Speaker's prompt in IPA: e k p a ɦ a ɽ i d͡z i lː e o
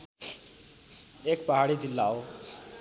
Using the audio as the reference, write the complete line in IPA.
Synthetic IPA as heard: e k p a ɦ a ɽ i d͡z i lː a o